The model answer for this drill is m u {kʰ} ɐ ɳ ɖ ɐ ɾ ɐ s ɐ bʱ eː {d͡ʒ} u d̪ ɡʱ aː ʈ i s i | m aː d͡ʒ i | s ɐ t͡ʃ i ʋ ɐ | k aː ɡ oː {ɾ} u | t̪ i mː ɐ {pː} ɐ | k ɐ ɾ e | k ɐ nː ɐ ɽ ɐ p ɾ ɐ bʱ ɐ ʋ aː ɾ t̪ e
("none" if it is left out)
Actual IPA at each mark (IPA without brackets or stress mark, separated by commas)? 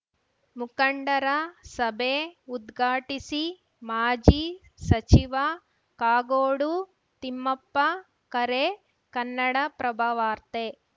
k, none, ɽ, pː